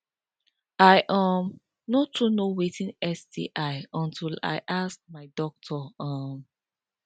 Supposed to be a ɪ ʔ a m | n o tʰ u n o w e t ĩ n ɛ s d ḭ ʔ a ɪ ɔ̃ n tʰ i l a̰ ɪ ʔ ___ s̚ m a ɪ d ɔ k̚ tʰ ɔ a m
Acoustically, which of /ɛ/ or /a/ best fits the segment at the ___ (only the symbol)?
a